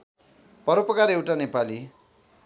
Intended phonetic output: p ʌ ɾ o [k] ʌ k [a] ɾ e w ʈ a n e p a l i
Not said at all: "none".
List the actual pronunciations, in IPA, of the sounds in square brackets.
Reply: p, a

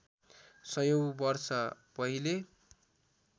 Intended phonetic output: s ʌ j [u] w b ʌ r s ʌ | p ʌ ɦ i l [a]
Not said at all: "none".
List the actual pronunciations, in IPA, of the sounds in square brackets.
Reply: o, e

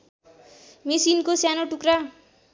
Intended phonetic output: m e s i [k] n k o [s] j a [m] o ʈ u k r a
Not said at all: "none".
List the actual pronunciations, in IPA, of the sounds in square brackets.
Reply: none, s, n

